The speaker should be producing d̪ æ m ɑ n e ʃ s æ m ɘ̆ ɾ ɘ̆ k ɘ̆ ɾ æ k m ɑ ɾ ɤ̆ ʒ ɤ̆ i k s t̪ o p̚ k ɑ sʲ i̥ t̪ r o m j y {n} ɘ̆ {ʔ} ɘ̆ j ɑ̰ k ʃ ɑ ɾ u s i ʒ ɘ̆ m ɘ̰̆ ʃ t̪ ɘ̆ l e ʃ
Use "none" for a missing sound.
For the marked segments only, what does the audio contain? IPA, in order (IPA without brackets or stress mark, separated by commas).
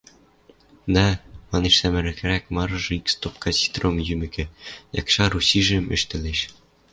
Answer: m, k